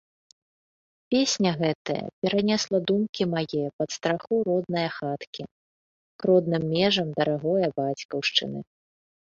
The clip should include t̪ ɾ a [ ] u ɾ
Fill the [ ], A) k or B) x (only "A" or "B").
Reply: B